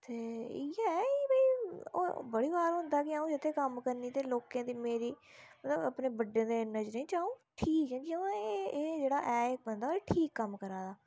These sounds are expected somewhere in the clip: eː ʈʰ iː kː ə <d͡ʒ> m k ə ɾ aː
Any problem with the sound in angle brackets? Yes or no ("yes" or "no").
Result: yes